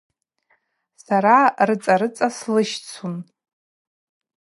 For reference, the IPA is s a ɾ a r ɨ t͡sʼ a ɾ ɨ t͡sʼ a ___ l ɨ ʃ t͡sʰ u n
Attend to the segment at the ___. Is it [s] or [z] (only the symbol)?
s